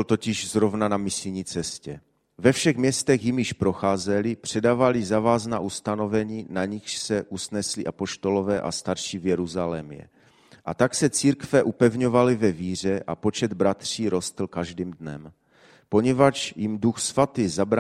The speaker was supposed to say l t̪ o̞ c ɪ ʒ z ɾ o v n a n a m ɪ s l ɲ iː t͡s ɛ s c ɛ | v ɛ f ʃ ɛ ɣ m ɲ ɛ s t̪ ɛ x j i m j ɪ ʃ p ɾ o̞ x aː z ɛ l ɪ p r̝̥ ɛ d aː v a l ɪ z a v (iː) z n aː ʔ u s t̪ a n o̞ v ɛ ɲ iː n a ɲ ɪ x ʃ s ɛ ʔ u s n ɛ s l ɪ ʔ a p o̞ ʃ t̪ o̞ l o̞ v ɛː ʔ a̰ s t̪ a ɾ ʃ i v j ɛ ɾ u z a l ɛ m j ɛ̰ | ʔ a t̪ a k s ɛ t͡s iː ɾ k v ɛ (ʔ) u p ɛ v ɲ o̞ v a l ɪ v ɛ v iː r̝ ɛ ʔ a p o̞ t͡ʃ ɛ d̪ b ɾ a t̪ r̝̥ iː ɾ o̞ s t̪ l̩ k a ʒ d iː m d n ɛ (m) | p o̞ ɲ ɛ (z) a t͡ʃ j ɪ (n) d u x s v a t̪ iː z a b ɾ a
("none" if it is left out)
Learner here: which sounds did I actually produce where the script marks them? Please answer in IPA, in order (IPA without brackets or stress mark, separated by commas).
aː, ʔ, m, v, m